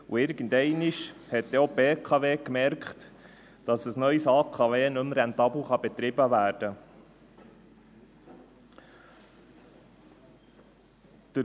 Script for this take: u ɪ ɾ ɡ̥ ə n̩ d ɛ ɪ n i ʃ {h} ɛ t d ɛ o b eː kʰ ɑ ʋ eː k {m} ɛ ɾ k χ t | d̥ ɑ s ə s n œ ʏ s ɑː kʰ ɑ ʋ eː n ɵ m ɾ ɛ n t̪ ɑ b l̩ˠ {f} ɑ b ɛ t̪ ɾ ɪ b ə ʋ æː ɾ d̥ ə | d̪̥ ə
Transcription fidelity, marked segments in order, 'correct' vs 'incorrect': correct, correct, incorrect

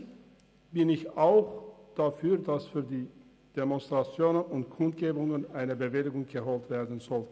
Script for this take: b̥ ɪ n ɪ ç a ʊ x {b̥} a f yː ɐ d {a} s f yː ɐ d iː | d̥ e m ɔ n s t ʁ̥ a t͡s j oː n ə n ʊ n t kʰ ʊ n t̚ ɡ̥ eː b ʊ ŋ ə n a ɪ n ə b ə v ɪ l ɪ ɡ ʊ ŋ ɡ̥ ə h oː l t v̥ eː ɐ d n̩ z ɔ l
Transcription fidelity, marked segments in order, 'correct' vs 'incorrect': incorrect, correct

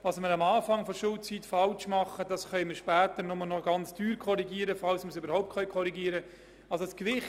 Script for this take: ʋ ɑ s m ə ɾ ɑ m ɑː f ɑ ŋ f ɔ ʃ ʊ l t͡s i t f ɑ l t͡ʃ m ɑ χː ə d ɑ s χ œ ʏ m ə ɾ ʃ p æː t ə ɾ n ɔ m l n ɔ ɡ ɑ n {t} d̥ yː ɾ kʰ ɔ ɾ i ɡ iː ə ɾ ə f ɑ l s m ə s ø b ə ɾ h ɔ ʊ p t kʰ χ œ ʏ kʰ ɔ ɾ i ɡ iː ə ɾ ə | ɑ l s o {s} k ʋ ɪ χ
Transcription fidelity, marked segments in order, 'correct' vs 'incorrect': incorrect, correct

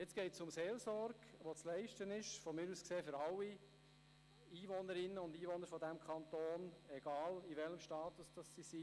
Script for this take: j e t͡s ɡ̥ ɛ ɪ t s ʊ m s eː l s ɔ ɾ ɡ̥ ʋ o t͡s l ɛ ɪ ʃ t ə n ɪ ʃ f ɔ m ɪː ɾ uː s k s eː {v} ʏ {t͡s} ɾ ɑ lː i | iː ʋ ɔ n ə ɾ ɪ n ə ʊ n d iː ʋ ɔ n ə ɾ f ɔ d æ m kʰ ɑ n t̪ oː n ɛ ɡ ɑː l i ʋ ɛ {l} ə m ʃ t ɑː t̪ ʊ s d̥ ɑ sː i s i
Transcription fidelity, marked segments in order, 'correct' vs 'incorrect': incorrect, incorrect, correct

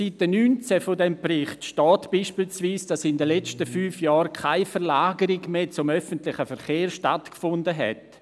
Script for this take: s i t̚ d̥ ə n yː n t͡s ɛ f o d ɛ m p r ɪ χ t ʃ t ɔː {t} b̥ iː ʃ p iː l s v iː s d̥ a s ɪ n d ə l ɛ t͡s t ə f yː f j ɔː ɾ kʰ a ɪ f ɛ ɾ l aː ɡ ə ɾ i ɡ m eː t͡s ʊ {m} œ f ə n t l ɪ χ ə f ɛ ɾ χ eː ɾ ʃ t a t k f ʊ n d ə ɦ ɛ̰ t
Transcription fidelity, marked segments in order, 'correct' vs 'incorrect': correct, correct

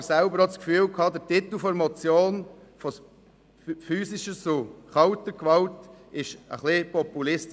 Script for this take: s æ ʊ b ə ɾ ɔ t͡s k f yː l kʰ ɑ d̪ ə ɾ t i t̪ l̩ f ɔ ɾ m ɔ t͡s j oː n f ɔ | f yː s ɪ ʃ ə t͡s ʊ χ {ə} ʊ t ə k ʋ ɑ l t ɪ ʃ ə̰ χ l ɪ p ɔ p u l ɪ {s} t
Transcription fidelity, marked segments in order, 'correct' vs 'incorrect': incorrect, correct

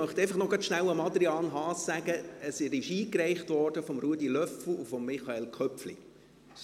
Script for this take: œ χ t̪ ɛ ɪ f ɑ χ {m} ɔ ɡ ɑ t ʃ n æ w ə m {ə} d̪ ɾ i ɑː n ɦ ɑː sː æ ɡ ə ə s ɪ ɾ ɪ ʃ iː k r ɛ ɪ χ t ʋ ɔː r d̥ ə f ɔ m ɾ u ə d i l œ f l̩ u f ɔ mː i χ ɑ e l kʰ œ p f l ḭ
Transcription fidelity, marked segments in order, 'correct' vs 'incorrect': incorrect, incorrect

